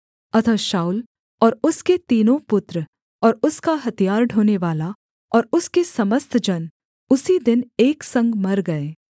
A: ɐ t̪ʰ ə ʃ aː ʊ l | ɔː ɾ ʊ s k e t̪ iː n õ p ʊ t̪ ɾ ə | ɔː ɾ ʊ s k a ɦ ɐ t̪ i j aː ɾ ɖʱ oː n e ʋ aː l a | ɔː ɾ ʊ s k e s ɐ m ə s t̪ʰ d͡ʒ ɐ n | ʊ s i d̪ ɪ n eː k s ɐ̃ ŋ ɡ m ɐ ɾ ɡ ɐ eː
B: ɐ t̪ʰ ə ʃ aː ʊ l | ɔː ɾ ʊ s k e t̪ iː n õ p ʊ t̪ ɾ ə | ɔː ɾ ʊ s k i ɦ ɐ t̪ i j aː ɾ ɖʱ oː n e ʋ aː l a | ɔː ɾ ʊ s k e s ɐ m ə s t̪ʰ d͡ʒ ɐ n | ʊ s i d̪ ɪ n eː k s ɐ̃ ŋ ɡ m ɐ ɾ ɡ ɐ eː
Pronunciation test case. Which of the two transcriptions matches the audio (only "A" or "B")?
A